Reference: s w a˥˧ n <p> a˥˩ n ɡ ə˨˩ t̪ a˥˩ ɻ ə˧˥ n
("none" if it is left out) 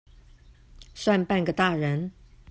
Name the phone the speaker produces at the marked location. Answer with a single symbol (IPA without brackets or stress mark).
p